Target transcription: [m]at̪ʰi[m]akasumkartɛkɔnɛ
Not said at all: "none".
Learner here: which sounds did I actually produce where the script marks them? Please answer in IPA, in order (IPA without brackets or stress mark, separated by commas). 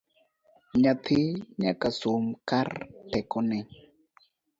ɲ, ɲ